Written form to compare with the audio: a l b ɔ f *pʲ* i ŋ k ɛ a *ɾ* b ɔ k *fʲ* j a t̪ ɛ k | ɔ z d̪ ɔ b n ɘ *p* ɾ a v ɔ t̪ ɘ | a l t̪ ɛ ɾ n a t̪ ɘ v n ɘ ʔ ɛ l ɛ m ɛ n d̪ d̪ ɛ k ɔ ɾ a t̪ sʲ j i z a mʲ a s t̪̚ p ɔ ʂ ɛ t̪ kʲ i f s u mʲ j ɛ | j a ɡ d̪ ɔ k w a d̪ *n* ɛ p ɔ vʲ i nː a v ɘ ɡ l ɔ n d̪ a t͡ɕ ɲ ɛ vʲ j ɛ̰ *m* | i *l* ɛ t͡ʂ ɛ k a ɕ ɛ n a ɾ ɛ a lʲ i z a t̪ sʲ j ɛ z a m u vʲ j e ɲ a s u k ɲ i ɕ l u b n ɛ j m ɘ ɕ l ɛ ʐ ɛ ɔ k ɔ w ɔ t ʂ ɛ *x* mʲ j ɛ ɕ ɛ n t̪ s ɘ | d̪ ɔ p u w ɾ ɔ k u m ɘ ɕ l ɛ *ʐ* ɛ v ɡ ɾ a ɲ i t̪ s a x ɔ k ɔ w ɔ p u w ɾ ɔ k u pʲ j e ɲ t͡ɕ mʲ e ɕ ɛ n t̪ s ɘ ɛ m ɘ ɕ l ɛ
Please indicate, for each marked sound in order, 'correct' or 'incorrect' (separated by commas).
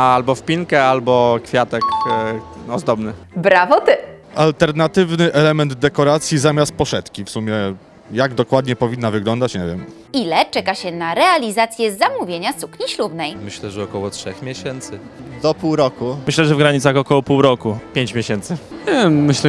correct, incorrect, correct, incorrect, incorrect, correct, correct, correct, correct